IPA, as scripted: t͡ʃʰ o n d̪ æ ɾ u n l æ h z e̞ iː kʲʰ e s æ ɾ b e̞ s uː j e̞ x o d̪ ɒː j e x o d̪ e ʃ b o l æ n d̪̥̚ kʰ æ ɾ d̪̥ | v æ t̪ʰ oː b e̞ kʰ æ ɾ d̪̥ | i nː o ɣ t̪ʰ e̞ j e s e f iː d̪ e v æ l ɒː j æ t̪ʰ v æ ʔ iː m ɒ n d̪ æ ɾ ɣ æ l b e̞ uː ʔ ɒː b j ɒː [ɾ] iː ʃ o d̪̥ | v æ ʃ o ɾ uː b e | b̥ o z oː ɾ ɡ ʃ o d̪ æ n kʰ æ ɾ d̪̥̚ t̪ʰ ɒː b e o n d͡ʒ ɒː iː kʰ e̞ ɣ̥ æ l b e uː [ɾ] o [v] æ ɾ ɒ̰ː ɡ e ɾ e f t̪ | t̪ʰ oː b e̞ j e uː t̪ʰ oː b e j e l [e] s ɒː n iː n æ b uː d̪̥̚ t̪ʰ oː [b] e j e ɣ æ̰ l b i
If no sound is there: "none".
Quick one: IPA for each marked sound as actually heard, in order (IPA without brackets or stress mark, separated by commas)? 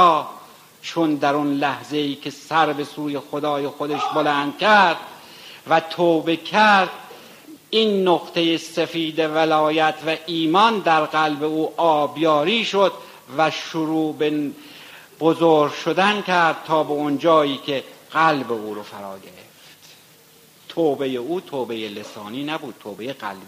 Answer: ɾ, ɾ, f, e, b